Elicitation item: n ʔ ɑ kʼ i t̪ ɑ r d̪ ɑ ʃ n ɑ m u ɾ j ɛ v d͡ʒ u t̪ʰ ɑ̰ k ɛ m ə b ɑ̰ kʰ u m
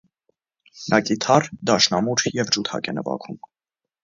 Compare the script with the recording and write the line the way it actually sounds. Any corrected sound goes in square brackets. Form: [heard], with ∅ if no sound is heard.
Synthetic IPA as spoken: n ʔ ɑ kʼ i [t̪ʰ] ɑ r d̪ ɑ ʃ n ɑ m u ɾ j ɛ v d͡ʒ u t̪ʰ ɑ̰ k ɛ [n] ə [v] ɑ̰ kʰ u m